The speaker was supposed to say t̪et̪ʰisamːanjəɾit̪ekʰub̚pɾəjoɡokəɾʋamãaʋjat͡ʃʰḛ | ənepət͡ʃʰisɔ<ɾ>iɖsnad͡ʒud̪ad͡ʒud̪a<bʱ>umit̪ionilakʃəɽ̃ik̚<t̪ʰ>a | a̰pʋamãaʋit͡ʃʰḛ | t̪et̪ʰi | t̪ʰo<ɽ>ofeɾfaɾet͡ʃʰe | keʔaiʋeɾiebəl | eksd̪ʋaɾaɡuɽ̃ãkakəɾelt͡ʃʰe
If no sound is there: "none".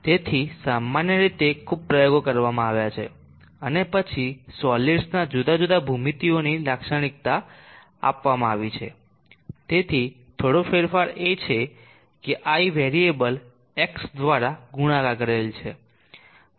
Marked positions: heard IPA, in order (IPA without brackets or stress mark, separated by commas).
l, bʱ, t̪, ɽ